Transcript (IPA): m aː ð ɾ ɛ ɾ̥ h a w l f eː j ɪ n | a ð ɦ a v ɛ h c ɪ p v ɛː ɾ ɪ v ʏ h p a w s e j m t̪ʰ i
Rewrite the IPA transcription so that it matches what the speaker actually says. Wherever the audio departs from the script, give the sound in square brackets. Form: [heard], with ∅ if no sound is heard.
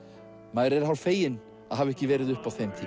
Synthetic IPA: m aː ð ɾ ɛ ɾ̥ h a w l f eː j ɪ n | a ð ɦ a v ɛ h c ɪ [∅] v ɛː ɾ ɪ [ð] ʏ h p a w [θ] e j m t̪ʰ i